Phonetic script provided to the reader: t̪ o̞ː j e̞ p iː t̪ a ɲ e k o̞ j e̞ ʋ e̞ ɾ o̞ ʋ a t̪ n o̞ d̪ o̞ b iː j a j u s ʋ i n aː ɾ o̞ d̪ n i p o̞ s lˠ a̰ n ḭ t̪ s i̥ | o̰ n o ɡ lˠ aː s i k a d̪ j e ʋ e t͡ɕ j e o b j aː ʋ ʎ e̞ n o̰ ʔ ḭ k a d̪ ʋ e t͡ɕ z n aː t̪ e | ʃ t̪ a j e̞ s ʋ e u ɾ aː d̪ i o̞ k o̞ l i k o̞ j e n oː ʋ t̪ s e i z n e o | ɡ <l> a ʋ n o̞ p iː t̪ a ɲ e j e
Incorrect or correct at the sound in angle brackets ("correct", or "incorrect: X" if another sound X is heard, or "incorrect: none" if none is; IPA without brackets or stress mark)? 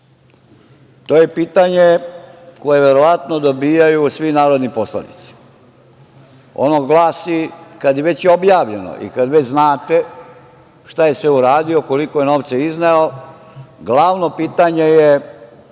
correct